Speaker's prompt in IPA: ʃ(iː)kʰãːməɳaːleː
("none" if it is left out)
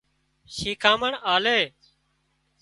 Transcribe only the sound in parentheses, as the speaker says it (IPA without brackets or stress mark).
iː